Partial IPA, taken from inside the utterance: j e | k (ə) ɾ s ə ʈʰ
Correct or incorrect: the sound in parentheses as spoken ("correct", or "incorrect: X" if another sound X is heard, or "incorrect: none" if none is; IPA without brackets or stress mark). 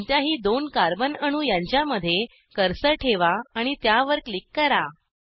correct